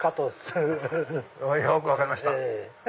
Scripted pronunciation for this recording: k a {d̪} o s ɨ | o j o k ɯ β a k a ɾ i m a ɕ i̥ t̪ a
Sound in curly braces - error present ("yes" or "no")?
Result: yes